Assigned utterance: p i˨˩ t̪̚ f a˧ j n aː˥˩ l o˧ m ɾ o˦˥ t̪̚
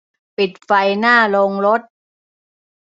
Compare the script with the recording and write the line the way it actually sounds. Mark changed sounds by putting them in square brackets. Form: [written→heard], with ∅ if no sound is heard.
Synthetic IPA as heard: p i˨˩ t̪̚ f a˧ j n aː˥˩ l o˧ [m→ŋ] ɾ o˦˥ t̪̚